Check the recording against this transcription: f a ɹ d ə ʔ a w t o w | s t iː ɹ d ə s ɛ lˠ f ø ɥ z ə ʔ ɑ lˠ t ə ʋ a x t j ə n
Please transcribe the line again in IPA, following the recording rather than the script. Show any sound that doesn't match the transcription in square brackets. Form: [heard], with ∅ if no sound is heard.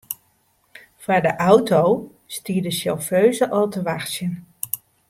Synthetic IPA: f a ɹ d ə ʔ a w t o w | s t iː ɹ d ə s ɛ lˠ f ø ɥ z ə ʔ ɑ lˠ t ə ʋ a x [s] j ə n